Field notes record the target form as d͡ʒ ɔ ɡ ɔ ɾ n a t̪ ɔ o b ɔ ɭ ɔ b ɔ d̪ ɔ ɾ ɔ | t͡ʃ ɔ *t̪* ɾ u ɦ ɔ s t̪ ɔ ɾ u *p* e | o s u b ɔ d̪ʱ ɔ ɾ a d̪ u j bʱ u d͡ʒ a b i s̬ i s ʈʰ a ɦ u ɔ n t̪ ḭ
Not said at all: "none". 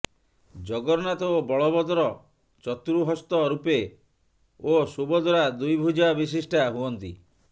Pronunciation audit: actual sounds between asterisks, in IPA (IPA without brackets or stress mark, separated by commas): t̪, p